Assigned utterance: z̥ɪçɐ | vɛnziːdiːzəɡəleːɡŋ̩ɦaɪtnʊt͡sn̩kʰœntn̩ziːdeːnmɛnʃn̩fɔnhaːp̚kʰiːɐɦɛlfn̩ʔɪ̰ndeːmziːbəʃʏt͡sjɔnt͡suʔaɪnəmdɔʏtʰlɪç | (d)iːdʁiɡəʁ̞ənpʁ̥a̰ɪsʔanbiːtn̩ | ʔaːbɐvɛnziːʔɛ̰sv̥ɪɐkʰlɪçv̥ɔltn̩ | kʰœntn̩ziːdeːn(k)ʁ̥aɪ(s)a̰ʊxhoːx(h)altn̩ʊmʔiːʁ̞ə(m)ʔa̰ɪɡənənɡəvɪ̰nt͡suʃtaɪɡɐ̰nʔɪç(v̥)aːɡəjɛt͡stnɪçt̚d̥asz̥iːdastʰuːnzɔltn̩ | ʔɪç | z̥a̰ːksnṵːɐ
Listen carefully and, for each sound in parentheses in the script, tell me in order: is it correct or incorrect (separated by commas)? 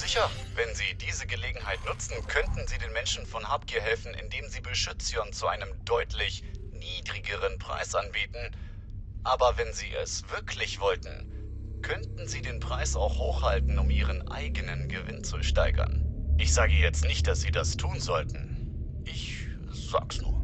incorrect, incorrect, correct, correct, incorrect, incorrect